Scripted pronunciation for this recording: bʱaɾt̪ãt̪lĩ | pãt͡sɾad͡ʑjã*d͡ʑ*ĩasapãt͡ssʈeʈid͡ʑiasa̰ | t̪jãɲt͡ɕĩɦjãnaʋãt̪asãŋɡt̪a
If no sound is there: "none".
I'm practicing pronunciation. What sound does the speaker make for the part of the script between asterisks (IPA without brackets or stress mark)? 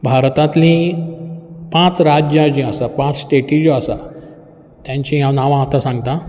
d͡ʑ